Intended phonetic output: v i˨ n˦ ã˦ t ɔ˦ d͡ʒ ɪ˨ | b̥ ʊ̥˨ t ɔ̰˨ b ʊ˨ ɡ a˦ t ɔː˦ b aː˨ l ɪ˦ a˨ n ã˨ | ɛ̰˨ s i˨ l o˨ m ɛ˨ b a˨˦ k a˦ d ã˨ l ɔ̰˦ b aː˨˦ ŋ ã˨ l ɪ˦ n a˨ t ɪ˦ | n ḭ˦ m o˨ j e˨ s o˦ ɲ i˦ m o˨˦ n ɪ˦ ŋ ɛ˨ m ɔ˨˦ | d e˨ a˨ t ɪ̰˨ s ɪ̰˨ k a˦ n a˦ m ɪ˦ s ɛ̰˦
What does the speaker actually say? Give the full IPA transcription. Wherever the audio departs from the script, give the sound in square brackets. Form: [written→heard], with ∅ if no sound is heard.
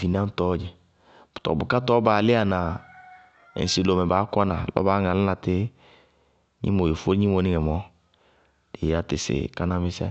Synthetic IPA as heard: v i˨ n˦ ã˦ t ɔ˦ d͡ʒ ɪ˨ | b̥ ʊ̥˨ t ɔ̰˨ b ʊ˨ [ɡ→k] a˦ t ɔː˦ b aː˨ l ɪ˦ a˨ n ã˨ | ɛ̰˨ s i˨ l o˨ m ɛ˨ b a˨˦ k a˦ [d→n] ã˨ l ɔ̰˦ b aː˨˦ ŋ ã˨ l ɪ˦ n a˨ t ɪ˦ | [n→ɲ] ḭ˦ m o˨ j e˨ [s→f] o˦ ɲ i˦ m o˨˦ n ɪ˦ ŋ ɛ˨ m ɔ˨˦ | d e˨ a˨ t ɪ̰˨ s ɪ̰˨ k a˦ n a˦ m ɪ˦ s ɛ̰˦

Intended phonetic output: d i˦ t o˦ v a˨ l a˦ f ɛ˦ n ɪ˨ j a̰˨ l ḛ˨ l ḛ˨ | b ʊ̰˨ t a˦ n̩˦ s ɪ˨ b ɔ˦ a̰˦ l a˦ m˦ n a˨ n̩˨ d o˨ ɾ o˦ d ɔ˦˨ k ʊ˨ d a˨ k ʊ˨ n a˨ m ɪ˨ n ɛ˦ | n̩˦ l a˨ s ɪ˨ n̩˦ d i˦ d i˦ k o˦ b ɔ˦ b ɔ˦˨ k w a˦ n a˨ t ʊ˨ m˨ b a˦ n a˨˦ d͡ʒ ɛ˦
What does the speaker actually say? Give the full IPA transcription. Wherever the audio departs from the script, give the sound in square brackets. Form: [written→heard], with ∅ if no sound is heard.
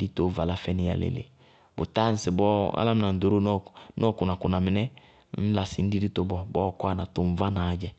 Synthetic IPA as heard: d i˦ t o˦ v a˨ l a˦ f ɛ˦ n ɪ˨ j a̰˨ l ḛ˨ l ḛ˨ | b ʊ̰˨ t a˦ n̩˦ s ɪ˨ b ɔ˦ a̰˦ l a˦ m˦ n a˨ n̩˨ d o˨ ɾ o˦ [d→n] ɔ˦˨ k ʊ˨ [d→n] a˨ k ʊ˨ n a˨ m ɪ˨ n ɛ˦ | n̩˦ l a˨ s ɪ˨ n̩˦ d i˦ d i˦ [k→t] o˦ b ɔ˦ b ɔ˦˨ k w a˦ n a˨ t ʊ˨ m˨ [b→v] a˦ n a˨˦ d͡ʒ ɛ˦

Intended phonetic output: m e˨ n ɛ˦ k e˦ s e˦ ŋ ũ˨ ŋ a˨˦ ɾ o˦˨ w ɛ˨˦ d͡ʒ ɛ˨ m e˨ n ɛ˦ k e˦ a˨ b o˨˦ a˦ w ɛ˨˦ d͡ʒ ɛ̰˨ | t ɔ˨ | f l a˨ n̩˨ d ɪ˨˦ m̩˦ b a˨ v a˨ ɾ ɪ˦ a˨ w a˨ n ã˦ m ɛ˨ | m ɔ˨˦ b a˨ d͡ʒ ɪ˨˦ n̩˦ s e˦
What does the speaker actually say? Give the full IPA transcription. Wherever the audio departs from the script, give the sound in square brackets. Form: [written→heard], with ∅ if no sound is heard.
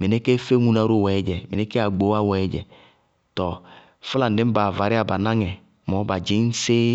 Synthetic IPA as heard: m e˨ n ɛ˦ k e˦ [s→f] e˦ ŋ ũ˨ [ŋ→n] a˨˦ ɾ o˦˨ w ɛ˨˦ d͡ʒ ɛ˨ m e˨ n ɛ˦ k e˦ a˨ [b→ɡ͡b] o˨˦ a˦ w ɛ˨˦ d͡ʒ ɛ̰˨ | t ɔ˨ | f l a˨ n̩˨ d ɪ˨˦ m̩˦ b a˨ v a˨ ɾ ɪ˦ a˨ [w→b] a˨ n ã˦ [m→ŋ] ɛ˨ | m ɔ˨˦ b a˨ d͡ʒ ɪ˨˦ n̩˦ s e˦

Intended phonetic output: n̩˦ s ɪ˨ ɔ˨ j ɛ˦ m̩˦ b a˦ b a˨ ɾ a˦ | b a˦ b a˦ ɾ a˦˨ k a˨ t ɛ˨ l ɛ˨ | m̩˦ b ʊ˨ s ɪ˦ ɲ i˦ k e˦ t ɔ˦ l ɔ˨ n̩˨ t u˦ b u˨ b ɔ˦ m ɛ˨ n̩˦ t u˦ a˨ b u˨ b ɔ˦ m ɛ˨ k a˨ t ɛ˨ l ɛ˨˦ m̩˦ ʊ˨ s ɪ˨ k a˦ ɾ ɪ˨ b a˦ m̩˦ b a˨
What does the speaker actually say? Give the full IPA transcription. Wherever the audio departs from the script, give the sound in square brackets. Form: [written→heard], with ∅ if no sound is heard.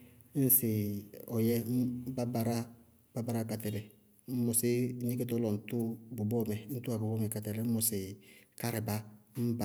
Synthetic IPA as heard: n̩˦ s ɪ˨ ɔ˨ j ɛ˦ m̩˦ b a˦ b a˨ ɾ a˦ | b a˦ b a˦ ɾ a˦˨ k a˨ t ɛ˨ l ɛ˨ | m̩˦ [b→m] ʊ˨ s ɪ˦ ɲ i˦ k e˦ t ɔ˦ l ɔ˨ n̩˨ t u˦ b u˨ b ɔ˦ m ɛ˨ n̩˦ t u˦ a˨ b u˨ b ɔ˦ m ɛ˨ k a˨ t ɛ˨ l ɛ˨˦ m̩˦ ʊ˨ s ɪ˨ k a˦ ɾ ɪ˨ b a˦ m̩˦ b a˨

